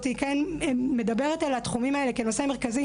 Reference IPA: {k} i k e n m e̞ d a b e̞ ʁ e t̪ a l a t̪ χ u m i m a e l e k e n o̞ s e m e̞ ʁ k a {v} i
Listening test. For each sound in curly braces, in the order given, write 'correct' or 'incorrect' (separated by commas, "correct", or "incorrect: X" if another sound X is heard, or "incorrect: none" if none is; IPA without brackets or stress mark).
incorrect: t, incorrect: z